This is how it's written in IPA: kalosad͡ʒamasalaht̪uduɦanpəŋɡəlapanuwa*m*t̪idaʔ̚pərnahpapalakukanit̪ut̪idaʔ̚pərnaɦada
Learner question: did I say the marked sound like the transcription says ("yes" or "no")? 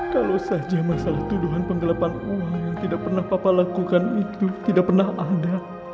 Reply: no